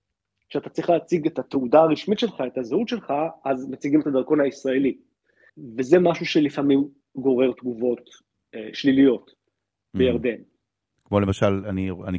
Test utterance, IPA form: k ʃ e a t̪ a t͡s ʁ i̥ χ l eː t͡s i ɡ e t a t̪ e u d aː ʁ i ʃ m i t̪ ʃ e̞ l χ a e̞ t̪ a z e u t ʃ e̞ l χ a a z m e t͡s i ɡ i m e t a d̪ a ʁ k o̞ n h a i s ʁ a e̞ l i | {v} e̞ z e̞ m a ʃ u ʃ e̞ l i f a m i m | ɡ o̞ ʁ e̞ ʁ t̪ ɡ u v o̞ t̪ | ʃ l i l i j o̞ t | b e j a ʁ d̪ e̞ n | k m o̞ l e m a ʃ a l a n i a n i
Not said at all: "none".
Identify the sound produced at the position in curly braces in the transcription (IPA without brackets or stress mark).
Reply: v